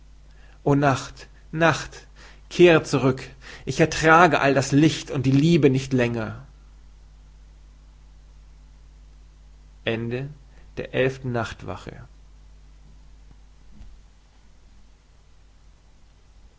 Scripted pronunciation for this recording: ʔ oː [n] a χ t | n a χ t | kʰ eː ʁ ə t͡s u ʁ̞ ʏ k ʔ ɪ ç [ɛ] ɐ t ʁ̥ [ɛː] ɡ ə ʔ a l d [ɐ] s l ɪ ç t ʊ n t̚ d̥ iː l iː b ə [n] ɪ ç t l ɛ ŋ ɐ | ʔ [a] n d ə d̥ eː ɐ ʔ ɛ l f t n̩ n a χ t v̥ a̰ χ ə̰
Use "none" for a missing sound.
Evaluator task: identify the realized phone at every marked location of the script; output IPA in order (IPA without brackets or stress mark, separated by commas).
n, ɛ, aː, a, n, ɛ